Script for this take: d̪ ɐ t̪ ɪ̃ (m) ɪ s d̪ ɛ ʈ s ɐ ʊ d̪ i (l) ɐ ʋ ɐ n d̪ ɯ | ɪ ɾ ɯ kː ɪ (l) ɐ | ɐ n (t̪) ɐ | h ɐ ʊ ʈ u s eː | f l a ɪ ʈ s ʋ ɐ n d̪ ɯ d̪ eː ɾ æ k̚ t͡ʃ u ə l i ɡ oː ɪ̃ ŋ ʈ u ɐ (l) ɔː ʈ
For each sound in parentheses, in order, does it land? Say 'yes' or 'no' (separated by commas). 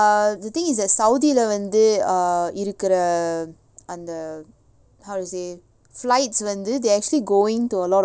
no, yes, no, no, yes